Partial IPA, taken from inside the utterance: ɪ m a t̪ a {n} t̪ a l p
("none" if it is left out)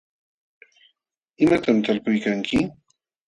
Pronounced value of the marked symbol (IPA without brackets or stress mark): m